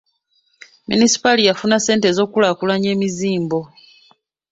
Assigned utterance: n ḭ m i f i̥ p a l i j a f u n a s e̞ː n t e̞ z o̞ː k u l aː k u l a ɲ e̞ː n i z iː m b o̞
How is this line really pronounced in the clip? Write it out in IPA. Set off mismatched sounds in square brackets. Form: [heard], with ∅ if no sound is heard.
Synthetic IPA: [m] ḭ [n] i [s] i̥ p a l i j a f u n a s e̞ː n t e̞ z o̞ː k u l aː k u l a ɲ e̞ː [m] i z iː m b o̞